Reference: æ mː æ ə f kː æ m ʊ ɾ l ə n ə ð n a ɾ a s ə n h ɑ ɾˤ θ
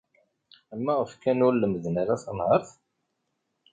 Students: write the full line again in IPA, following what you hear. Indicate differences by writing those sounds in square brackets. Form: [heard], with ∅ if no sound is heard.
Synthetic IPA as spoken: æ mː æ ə f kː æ [n] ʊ ɾ l ə [m] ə ð n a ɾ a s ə n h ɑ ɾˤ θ

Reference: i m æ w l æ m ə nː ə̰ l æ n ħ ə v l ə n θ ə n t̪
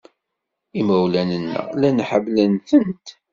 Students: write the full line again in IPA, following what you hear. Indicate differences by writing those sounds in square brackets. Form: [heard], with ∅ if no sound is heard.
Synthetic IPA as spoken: i m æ w l æ [n] ə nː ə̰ l æ n ħ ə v l ə n θ ə n t̪

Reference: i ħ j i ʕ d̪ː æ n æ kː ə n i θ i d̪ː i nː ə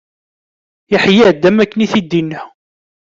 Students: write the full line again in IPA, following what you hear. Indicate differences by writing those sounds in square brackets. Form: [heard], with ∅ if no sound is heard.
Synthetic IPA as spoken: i ħ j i ʕ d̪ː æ [m] æ kː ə n i θ i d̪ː i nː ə

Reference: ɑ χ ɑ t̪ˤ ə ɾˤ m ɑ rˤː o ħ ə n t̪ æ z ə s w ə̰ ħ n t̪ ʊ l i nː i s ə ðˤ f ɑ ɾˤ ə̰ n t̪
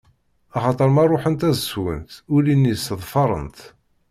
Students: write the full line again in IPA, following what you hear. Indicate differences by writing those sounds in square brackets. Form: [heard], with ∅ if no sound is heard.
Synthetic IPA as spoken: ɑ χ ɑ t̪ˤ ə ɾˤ m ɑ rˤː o ħ ə n t̪ æ z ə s w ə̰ [∅] n t̪ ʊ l i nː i s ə ðˤ f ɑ ɾˤ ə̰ n t̪

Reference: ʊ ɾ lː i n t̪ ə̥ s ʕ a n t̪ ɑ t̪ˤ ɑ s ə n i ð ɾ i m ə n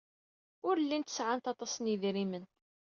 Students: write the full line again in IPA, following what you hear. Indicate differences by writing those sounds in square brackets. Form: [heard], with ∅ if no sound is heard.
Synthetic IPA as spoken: ʊ ɾ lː i n t̪ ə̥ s ʕ a n t̪ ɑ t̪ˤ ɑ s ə n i ð ɾ i m ə n

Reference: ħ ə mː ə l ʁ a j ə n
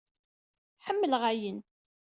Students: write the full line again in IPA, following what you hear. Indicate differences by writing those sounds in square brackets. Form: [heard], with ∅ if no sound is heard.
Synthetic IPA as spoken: ħ ə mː ə l ʁ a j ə n

